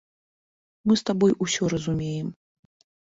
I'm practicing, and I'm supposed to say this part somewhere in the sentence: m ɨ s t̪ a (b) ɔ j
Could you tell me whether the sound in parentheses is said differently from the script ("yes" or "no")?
no